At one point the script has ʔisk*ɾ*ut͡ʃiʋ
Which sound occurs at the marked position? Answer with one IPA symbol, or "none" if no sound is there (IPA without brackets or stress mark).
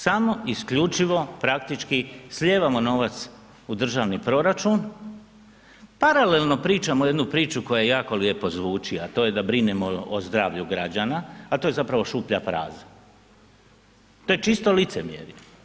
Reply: ʎ